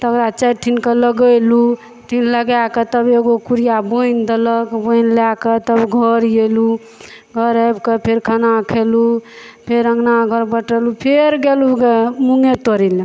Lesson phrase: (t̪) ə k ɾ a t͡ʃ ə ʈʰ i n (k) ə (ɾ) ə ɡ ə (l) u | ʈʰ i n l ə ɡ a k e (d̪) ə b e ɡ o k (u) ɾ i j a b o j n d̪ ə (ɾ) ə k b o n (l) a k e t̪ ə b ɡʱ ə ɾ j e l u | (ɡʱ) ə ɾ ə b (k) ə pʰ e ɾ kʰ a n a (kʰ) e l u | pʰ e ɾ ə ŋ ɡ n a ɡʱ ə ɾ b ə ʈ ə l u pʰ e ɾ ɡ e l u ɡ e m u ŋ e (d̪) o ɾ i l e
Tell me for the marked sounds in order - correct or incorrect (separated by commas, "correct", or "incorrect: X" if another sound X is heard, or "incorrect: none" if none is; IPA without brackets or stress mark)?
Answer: correct, correct, incorrect: l, correct, incorrect: t̪, correct, incorrect: l, correct, correct, correct, correct, incorrect: t̪